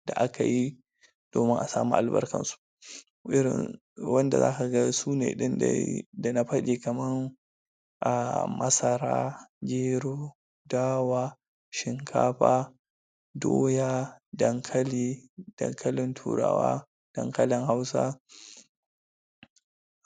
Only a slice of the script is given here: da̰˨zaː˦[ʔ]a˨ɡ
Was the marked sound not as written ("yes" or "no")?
yes